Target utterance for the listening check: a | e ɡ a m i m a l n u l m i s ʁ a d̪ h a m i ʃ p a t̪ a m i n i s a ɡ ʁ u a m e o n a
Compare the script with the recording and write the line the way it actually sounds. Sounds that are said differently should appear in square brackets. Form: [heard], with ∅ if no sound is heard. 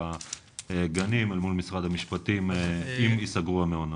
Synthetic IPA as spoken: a | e ɡ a [n] i m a l [m] u l m i s ʁ a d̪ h a m i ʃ p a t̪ [i] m i [m] i s a ɡ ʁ u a m e o n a